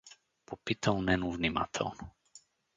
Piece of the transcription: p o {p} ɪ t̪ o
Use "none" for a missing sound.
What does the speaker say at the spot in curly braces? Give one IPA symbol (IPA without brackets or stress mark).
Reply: p